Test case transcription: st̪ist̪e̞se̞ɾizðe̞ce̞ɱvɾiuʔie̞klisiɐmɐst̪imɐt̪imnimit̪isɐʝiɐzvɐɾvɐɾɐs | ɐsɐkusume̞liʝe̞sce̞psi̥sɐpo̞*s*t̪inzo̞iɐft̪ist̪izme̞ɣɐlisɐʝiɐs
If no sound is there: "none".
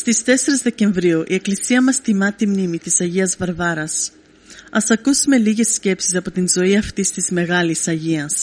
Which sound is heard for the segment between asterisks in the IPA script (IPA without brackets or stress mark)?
none